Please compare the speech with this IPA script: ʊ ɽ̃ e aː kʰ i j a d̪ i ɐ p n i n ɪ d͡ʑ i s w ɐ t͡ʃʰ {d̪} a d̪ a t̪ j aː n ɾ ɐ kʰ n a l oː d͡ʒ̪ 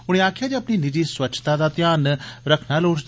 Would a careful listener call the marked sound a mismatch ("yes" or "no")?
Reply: yes